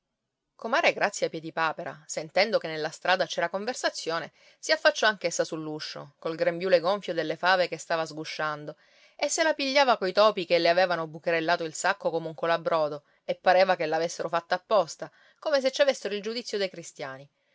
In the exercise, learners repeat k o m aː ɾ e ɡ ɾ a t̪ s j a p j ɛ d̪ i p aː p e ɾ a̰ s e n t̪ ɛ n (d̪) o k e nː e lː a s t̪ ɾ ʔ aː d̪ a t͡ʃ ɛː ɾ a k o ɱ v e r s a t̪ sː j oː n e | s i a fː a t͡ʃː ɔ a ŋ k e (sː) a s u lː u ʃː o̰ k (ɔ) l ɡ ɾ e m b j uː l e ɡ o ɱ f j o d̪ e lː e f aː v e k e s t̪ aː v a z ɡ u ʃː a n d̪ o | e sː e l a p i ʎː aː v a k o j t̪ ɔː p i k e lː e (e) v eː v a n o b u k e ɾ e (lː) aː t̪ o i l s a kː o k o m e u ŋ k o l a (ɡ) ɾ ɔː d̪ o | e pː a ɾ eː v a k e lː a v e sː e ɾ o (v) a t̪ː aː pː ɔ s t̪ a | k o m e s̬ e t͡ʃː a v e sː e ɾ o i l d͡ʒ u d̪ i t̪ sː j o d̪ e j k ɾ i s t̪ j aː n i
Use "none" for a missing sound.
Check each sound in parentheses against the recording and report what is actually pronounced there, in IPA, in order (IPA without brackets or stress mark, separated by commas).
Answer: d̪, sː, o, a, lː, b, f